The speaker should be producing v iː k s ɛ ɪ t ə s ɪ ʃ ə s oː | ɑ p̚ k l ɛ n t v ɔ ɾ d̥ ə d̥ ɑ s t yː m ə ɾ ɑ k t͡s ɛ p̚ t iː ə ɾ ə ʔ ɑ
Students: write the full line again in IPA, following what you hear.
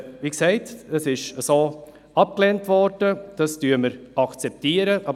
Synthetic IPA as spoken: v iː k s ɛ ɪ t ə s ɪ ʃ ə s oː | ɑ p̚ k l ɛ n t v ɔ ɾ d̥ ə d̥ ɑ s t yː m ə ɾ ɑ k t͡s ɛ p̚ t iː ə ɾ ə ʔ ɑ